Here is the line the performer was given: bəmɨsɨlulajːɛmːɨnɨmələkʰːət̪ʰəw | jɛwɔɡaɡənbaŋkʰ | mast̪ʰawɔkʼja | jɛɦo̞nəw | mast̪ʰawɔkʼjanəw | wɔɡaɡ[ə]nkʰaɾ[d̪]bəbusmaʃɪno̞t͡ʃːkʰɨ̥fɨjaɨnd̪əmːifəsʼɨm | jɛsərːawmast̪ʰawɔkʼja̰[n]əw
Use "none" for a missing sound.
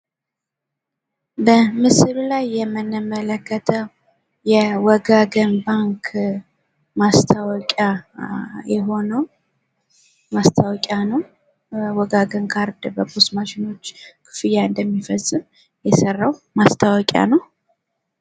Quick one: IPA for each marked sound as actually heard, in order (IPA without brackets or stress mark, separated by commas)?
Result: ə, d̪, n